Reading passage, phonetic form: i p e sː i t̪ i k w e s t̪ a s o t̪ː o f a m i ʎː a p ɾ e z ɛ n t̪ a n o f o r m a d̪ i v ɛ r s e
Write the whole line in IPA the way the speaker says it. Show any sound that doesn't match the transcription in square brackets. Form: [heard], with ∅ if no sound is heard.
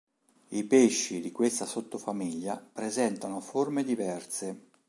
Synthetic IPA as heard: i p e [ʃː] i [d̪] i k w e s t̪ a s o t̪ː o f a m i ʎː a p ɾ e z ɛ n t̪ a n o f o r m [e] d̪ i v ɛ r s e